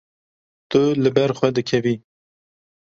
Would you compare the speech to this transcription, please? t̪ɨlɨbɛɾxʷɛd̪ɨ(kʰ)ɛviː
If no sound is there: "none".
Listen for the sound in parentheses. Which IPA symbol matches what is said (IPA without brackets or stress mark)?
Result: kʰ